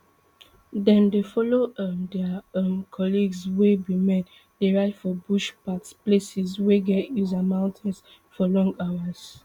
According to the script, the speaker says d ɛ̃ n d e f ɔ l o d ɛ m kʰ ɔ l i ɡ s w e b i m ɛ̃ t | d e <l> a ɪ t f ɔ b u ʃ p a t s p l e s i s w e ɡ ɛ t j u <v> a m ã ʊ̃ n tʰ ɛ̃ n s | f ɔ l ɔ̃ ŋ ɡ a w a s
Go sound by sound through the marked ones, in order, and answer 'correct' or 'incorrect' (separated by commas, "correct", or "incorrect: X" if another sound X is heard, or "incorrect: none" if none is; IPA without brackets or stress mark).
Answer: incorrect: ɹ, incorrect: z